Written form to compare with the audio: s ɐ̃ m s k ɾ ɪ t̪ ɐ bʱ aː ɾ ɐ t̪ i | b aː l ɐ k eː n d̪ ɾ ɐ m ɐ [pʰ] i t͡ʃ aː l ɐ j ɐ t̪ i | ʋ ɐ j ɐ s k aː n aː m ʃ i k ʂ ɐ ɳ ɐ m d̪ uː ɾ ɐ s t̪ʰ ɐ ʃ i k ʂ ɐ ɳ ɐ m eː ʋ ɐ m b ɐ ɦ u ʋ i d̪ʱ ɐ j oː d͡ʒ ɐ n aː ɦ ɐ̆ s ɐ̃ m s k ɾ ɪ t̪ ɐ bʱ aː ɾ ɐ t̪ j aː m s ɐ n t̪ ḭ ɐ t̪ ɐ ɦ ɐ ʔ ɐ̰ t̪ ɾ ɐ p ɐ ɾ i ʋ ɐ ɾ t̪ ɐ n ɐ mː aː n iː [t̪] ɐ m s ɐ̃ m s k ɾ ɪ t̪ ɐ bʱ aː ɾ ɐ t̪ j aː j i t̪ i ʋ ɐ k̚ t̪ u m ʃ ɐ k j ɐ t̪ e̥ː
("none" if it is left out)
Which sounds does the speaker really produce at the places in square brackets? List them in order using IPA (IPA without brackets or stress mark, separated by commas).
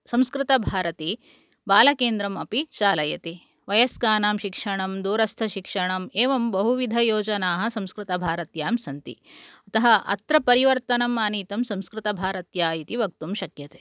p, t̪